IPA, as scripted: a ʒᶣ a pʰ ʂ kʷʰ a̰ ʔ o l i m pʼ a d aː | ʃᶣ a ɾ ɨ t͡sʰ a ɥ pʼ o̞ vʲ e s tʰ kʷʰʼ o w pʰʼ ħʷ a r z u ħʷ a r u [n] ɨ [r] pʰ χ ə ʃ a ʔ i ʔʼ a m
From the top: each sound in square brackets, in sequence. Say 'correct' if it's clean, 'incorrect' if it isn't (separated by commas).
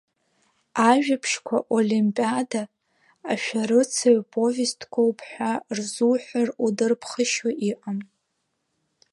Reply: incorrect, correct